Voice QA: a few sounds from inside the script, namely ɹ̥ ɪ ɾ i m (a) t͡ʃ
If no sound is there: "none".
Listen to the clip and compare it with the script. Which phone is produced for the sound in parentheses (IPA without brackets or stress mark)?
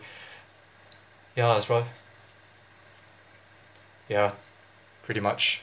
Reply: ʌ